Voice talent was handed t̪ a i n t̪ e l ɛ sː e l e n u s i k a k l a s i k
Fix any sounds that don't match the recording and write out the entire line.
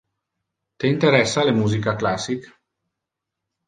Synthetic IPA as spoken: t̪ e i n t̪ e ɾ ɛ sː a l e m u z i k a k l a s i k